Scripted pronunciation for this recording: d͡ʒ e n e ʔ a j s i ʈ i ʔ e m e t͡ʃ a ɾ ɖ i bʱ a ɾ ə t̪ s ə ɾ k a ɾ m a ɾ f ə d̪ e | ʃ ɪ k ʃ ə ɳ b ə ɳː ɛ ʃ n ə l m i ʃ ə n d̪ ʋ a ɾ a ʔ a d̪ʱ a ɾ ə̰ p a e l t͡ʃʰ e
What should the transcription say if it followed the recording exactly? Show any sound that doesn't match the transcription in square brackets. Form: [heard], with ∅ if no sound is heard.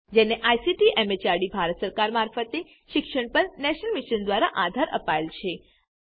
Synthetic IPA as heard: d͡ʒ e n e ʔ a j s i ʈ i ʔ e m e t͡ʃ a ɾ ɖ i bʱ a ɾ ə t̪ s ə ɾ k a ɾ m a ɾ f ə [t̪] e | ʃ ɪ k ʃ ə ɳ [p] ə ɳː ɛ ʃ n ə l m i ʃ ə n d̪ ʋ a ɾ a ʔ a d̪ʱ a ɾ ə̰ p a e l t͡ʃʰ e